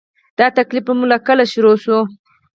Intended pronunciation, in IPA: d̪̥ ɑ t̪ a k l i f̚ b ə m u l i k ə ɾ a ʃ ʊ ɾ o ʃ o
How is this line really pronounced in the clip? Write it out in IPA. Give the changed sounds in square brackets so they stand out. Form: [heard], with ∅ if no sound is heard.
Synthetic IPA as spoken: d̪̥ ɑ t̪ a k l i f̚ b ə m u l [a] k ə [l] a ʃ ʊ ɾ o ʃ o